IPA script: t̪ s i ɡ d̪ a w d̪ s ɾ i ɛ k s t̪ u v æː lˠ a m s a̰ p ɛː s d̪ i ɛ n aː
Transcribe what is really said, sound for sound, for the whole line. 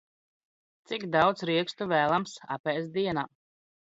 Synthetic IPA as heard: t̪ s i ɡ d̪ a w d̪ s ɾ i ɛ k s t̪ u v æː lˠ a m s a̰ p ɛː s d̪ i ɛ n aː